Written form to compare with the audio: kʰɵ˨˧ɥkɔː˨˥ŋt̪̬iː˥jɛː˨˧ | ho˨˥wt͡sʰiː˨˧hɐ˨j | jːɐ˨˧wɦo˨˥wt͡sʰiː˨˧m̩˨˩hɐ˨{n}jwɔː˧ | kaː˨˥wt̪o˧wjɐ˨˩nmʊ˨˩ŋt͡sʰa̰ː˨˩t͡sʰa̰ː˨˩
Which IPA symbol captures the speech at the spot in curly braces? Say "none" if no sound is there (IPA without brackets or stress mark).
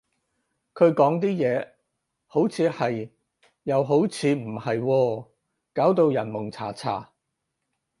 none